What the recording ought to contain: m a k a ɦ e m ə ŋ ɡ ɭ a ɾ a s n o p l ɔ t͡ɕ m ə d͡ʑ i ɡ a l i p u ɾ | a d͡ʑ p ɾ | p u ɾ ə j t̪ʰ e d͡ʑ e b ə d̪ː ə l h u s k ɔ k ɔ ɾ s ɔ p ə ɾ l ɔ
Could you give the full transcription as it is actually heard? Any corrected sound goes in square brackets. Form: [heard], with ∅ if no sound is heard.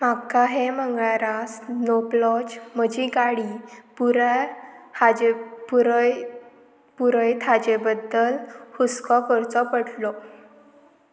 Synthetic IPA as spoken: m a k a ɦ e m ə ŋ ɡ ɭ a ɾ a s n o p l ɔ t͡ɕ m ə d͡ʑ i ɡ a [ɽ] i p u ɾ | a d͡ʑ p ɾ | p u ɾ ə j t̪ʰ [a] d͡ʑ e b ə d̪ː ə l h u s k ɔ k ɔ ɾ [t͡s] ɔ p ə [ɽ] l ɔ